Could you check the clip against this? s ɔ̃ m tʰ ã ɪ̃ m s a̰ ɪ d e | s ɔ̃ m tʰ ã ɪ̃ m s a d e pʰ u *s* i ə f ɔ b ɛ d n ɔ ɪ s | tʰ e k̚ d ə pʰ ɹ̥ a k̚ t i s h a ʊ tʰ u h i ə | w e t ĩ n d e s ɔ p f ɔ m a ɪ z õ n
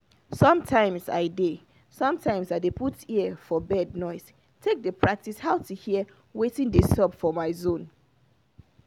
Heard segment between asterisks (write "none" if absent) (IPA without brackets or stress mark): t